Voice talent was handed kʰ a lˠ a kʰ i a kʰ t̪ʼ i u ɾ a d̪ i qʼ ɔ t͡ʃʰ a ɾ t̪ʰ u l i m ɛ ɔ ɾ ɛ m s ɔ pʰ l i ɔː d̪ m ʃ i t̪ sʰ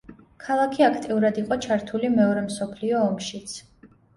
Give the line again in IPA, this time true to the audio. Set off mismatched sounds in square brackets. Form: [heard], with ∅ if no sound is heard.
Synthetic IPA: kʰ a lˠ a kʰ i a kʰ t̪ʼ i u ɾ a d̪ i qʼ ɔ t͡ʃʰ a ɾ t̪ʰ u l i m ɛ ɔ ɾ ɛ m s ɔ pʰ l i ɔː [∅] m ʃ i t̪ sʰ